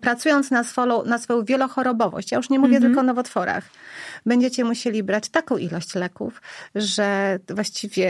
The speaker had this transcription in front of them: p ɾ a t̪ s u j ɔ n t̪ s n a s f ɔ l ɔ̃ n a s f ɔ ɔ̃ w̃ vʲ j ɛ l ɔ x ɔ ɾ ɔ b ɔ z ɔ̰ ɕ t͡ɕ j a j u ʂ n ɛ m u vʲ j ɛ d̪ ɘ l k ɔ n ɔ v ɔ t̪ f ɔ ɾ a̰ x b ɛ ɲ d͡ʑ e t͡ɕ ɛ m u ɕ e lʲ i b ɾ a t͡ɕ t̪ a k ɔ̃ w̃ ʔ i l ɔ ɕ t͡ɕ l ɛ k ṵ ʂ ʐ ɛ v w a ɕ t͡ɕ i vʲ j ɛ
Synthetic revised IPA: p ɾ a t̪ s u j ɔ n t̪ s n a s f ɔ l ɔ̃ n a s f ɔ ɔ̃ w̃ vʲ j ɛ l ɔ x ɔ ɾ ɔ b ɔ v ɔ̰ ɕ t͡ɕ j a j u ʂ ɲ ɛ m u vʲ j ɛ t̪ ɘ l k ɔ n ɔ v ɔ t̪ f ɔ ɾ a̰ x b ɛ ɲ d͡ʑ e t͡ɕ ɛ m u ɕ e lʲ i b ɾ a t͡ɕ t̪ a k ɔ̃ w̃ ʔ i l ɔ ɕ t͡ɕ l ɛ k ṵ f ʐ ɛ v w a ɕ t͡ɕ i vʲ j ɛ